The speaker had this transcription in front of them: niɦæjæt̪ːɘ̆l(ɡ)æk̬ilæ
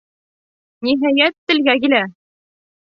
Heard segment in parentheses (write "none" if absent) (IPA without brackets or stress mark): ɡ